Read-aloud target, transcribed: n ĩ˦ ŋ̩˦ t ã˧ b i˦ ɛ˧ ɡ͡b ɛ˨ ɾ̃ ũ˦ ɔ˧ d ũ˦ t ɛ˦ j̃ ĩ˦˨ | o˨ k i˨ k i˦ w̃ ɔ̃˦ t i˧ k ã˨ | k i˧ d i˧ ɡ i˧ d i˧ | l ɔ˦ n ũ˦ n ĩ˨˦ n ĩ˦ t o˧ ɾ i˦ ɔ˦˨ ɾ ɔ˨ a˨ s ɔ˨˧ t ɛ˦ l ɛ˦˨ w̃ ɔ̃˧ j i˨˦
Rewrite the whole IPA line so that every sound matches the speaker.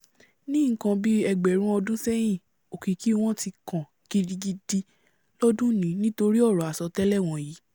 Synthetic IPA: n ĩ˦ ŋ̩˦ k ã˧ b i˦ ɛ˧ ɡ͡b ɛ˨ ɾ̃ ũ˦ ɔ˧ d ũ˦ s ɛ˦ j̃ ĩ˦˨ | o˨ k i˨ k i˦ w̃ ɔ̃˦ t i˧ k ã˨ | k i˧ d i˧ ɡ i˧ d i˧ | l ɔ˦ d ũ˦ n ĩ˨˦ n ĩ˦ t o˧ ɾ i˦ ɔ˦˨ ɾ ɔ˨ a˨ s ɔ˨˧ t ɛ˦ l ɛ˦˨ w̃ ɔ̃˧ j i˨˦